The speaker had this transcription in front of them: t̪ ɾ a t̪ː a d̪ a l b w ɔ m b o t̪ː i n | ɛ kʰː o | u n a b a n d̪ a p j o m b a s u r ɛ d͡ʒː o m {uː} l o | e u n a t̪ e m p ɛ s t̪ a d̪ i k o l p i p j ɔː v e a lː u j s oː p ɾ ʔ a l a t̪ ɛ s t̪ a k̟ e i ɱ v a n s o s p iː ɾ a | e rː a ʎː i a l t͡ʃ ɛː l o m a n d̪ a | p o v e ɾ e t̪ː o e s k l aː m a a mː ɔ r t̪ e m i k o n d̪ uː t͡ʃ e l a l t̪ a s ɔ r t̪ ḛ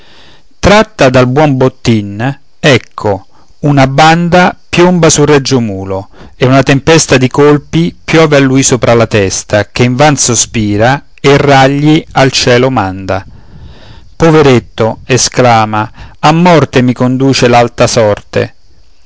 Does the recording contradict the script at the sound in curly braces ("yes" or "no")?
no